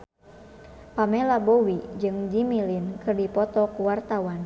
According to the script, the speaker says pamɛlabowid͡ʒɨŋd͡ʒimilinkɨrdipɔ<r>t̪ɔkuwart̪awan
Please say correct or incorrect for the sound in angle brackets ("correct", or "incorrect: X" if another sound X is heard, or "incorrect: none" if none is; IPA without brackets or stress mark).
incorrect: none